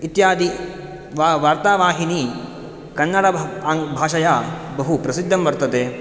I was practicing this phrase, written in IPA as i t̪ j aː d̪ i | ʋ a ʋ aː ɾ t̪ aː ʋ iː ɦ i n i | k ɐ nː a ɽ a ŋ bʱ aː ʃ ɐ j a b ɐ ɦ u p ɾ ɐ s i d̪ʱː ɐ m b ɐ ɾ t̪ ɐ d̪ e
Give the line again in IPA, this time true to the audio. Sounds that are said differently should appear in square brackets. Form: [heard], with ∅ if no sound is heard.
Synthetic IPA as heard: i t̪ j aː d̪ i | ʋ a ʋ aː ɾ t̪ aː ʋ [aː] ɦ i n i | k ɐ nː [ɐ] ɽ [ɐ] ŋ bʱ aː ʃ ɐ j a b ɐ ɦ u p ɾ ɐ s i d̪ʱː ɐ m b ɐ ɾ t̪ ɐ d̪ e